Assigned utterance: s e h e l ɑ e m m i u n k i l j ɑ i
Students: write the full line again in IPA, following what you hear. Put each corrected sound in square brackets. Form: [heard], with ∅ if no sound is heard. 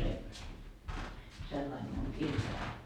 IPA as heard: s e [s] e [lː] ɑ [i] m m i u [ŋ] k i [r] j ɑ i